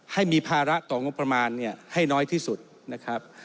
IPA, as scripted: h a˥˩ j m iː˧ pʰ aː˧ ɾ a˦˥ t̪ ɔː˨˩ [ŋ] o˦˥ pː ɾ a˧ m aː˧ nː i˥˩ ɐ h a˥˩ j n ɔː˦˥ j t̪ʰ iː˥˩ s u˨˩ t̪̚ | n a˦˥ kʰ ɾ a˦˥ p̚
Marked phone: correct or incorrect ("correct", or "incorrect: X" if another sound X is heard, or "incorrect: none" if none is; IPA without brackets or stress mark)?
correct